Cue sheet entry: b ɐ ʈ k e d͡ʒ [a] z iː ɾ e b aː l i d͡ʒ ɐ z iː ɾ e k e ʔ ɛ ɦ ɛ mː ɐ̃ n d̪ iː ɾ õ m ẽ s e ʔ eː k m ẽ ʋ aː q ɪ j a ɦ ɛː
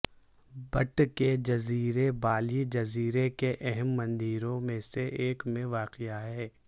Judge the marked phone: incorrect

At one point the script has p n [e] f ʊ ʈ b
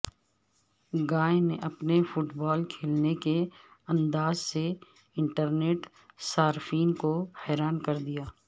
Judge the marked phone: correct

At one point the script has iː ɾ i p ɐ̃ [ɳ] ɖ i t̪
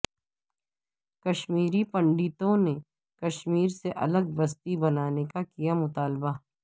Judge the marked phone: correct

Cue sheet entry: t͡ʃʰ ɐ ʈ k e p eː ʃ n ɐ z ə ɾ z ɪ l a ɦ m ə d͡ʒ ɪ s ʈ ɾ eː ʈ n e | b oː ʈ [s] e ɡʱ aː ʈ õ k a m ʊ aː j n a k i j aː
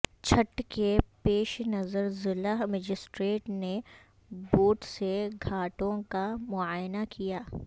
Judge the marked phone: correct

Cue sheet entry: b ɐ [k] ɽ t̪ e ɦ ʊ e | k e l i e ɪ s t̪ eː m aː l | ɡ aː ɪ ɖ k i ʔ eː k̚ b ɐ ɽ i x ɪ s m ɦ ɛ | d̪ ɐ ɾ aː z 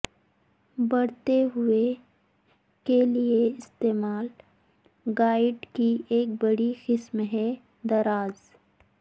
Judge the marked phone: incorrect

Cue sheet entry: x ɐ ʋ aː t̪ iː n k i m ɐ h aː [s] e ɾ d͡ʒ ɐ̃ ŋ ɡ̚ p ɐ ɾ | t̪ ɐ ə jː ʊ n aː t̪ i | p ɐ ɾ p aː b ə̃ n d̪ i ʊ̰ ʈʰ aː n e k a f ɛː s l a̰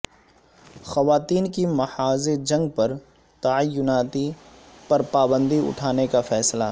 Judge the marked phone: incorrect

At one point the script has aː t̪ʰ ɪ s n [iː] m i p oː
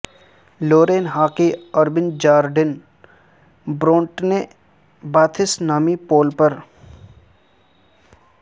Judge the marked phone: incorrect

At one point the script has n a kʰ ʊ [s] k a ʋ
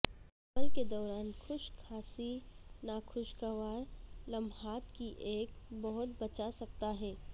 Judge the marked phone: incorrect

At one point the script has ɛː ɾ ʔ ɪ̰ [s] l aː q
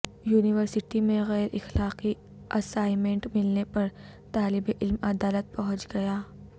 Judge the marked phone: incorrect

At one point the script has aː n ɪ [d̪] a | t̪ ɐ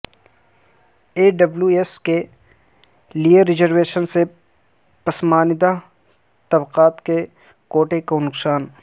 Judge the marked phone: correct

